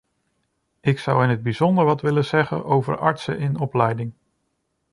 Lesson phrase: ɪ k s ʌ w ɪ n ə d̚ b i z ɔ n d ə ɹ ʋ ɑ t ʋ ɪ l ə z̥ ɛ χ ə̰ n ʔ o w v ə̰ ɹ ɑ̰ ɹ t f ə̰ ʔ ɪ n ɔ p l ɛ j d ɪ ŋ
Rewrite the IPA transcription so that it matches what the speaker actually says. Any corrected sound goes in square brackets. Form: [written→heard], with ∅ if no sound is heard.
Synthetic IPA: ɪ k s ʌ w ɪ n ə d̚ b i z ɔ n d ə ɹ ʋ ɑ t ʋ ɪ l ə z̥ ɛ χ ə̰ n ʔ o w v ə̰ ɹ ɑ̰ ɹ t [f→s] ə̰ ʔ ɪ n ɔ p l ɛ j d ɪ ŋ